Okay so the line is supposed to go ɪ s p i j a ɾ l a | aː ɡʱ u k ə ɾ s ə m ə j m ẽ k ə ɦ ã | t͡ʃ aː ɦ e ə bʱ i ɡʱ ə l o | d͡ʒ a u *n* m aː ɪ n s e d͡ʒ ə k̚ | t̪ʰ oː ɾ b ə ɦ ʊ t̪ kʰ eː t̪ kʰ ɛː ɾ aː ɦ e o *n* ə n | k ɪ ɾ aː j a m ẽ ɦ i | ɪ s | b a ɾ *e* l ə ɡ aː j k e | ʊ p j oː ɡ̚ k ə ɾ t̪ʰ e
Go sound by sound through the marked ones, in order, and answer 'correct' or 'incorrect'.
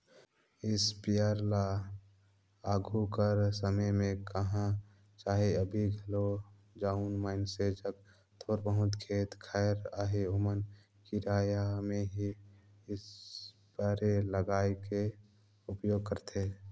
correct, incorrect: m, correct

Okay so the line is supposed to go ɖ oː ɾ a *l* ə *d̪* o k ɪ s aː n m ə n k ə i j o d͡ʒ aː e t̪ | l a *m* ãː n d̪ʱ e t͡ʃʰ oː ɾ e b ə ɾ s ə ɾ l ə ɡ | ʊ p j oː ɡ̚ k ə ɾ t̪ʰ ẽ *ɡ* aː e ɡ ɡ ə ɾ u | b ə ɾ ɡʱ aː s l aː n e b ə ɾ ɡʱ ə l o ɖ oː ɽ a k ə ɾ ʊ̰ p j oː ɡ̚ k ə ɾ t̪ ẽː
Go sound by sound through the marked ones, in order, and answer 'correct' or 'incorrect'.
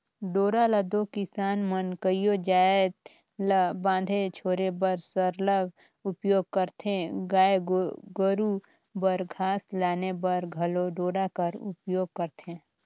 correct, correct, incorrect: b, correct

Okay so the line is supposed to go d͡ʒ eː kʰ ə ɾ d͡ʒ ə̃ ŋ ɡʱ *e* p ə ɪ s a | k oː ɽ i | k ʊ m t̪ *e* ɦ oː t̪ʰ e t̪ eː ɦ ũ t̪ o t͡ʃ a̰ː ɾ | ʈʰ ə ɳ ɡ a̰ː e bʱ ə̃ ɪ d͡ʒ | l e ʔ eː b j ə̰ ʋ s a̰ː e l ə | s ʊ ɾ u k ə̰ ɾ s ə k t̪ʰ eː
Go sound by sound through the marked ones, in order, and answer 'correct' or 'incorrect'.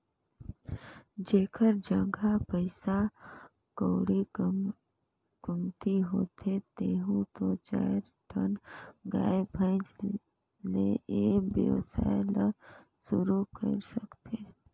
incorrect: a, incorrect: i

